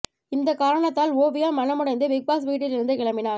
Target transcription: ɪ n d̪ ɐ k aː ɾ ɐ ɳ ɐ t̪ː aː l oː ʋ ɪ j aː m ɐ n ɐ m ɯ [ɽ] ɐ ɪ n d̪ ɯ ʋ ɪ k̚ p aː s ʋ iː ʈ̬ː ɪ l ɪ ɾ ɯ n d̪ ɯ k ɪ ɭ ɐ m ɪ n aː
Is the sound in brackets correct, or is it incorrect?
correct